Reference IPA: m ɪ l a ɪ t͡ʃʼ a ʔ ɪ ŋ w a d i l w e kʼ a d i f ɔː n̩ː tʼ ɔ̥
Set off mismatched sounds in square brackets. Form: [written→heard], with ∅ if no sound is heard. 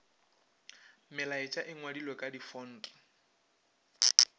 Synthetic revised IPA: m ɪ l a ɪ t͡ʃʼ a ʔ ɪ ŋ w a d i l w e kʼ a d i f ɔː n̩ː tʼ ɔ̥